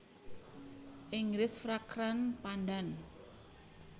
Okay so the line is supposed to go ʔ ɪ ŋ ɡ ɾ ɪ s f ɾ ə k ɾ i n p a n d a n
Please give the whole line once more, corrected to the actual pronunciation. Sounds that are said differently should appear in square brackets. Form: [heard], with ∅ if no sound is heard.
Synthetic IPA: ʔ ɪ ŋ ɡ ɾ ɪ s f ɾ [a] k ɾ [a] n p a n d a n